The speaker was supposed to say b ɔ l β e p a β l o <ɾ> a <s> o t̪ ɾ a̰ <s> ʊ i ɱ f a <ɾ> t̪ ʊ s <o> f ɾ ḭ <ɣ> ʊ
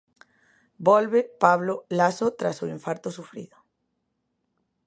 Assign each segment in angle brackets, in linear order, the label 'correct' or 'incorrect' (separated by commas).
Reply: incorrect, correct, correct, correct, incorrect, incorrect